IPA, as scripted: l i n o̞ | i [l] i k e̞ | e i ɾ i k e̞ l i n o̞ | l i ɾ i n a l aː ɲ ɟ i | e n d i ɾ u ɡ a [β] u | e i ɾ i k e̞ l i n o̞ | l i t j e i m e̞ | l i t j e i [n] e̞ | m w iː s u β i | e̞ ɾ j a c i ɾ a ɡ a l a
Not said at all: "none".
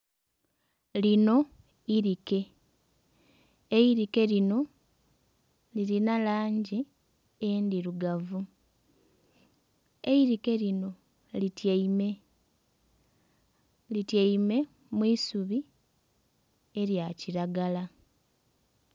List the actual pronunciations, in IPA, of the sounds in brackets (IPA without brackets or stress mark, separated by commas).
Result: ɾ, v, m